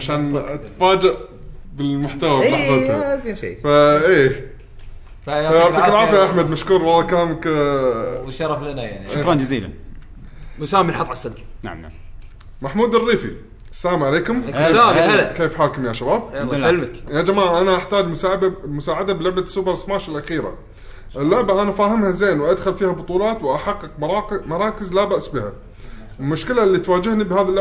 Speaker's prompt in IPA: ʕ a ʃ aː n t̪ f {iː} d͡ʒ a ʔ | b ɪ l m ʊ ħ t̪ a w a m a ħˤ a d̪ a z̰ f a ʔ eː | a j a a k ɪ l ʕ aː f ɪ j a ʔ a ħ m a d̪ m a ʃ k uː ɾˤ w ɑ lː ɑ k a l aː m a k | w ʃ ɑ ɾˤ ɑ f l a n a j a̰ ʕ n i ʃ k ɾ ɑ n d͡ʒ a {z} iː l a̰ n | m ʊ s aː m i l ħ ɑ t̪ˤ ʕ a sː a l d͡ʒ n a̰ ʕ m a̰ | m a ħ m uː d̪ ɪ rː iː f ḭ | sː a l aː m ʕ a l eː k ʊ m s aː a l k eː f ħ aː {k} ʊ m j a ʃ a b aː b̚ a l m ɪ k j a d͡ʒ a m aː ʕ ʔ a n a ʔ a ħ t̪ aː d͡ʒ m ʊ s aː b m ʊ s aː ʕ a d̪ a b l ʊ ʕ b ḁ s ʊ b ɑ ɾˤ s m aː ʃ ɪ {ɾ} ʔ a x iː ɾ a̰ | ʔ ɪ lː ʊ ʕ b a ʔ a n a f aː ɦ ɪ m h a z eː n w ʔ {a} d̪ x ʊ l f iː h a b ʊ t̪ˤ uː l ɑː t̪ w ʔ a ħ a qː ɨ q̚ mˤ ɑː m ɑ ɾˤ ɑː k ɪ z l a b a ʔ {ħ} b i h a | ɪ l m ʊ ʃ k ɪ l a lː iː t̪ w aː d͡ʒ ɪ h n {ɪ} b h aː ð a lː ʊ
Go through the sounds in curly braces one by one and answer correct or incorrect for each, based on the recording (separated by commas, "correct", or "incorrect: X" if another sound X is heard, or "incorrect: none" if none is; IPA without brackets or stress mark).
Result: incorrect: aː, correct, correct, incorrect: l, correct, incorrect: s, incorrect: i